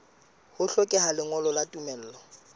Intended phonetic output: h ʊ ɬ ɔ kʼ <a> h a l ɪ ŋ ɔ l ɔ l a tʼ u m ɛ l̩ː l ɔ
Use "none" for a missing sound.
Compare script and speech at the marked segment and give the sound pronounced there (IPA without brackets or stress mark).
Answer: ɛ